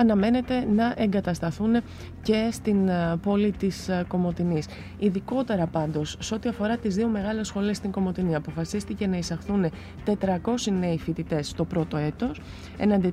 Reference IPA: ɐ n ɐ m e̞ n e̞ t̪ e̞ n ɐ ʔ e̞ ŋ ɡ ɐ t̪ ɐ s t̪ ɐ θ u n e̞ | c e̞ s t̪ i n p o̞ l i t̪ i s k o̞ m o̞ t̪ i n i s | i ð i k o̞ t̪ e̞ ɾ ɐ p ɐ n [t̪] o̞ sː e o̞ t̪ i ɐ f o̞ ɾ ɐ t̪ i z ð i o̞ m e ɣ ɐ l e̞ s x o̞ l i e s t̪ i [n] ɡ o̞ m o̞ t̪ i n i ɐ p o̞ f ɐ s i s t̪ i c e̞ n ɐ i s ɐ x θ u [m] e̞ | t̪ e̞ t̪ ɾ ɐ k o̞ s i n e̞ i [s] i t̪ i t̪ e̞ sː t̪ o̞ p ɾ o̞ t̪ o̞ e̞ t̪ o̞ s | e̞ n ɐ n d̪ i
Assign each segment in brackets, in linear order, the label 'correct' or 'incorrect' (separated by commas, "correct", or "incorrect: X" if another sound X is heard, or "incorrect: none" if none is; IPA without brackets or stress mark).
incorrect: d̪, incorrect: ŋ, incorrect: n, incorrect: f